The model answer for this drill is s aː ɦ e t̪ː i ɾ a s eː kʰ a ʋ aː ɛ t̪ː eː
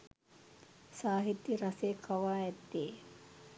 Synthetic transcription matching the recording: s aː ɦ i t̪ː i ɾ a s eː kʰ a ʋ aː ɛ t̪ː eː

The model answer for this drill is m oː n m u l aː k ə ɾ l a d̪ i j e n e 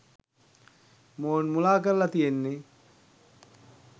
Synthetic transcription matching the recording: m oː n m u l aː k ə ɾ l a t̪ i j e nː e

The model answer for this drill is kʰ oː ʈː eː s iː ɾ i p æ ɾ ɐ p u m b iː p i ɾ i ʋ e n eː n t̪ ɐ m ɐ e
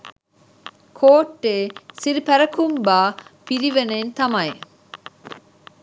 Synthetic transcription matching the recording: kʰ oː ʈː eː s i ɾ i p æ ɾ ɐ k u m b aː p i ɾ i ʋ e n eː n t̪ ɐ m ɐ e

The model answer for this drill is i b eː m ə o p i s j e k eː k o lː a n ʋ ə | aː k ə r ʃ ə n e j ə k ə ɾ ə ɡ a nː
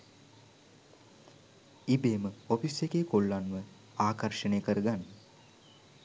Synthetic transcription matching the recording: i b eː m ə o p i s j e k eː k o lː a n ʋ ə | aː k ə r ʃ ə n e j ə k ə ɾ ə ɡ a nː

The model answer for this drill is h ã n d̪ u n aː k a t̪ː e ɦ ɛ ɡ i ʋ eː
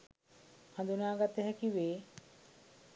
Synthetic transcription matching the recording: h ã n d̪ u n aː ɡ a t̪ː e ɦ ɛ k i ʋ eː

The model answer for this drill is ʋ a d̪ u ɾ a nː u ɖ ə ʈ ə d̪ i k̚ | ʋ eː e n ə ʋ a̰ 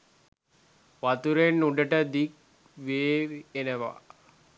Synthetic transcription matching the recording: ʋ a t̪ u ɾ e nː u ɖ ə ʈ ə d̪ i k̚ | ʋ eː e n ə ʋ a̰

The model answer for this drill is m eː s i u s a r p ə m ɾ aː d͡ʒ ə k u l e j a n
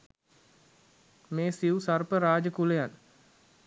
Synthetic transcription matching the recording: m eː s i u s a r p ə ɾ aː d͡ʒ ə k u l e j a n

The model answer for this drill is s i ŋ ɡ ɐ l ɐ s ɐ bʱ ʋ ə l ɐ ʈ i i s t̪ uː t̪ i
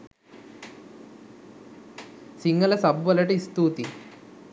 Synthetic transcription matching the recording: s i ŋ ɡ ɐ l ɐ s ɐ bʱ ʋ ɐ l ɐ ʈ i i s t̪ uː t̪ i

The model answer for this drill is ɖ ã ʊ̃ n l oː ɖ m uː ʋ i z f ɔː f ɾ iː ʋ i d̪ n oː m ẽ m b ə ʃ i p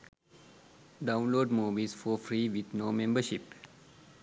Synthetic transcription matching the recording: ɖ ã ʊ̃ n l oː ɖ m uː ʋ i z f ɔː f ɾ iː ʋ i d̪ n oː m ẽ m b ə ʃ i p

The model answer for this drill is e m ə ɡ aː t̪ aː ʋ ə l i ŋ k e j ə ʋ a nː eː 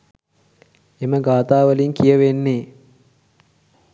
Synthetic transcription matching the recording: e m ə ɡ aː t̪ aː ʋ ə l i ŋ k i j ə ʋ e nː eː

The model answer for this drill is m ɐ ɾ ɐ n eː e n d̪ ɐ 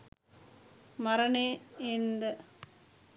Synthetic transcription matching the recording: m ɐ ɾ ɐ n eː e n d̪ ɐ

